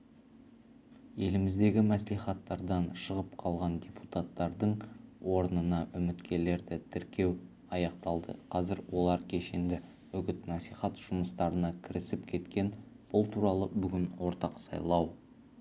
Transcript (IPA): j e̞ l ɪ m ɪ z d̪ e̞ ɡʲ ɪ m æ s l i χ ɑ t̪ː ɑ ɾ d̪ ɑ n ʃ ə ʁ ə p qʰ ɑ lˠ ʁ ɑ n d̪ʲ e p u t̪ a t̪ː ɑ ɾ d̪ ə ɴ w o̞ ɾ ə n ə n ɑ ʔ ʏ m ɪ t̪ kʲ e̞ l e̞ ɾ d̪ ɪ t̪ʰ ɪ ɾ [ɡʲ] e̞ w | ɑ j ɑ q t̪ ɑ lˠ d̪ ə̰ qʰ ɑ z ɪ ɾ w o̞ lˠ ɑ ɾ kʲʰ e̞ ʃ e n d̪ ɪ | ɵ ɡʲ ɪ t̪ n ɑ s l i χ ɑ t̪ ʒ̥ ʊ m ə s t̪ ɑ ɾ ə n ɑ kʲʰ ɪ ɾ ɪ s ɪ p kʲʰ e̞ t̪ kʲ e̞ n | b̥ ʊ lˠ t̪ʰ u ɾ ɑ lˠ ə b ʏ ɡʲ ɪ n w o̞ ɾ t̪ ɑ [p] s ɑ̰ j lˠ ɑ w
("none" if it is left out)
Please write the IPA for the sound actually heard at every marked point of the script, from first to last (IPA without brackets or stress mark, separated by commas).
kʲ, q